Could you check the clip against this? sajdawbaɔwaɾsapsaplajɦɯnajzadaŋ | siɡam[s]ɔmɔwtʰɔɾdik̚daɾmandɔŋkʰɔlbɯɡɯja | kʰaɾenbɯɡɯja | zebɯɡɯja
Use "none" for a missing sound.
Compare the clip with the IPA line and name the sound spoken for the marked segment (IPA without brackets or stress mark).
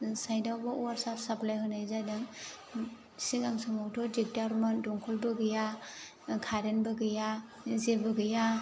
s